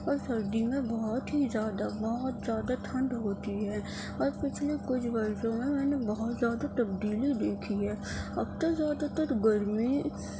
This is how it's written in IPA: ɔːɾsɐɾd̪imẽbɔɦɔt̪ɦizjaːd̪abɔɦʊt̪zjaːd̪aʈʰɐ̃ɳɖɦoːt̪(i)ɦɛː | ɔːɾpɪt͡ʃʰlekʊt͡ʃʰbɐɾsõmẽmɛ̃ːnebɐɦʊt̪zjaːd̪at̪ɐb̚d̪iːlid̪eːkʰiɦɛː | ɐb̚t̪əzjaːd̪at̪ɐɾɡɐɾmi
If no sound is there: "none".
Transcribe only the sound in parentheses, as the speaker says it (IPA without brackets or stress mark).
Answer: i